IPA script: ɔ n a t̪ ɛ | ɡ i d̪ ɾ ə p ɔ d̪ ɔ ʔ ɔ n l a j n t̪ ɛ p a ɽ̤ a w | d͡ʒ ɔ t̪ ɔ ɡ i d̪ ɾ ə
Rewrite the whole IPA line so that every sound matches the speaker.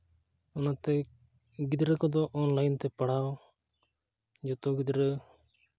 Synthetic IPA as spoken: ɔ n a t̪ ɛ | ɡ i d̪ ɾ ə k ɔ d̪ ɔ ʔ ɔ n l a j n t̪ ɛ p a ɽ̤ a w | d͡ʒ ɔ t̪ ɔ ɡ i d̪ ɾ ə